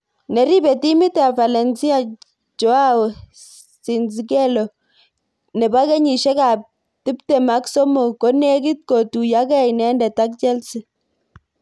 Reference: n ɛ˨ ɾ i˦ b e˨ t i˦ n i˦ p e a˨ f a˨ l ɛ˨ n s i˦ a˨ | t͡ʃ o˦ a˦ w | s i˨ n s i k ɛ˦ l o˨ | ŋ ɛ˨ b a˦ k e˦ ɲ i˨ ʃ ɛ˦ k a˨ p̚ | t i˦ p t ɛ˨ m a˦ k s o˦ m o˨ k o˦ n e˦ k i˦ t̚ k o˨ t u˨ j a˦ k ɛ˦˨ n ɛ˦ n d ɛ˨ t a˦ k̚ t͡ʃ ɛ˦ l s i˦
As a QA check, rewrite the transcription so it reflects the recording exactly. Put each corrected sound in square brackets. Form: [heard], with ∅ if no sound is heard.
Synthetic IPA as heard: n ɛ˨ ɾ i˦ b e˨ t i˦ [m] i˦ [t] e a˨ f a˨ l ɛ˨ n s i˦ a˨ | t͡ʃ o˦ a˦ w | s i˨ n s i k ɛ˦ l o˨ | [n] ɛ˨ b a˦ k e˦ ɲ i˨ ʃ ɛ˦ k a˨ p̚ | t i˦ p t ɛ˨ m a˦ k s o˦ m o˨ k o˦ n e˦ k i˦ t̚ k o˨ t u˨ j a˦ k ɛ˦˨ n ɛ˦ n d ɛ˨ t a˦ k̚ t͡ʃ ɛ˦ l s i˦